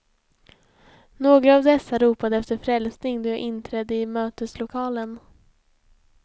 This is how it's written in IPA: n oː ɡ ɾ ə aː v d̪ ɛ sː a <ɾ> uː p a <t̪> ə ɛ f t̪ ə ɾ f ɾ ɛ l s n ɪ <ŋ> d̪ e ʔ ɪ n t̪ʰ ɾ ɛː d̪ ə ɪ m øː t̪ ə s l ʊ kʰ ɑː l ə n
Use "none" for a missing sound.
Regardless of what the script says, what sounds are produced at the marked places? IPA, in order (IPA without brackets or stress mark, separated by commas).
ɾ, d̪, ŋ